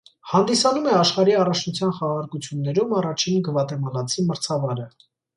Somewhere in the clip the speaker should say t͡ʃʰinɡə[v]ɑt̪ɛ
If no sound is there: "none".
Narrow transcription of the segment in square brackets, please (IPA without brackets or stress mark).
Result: v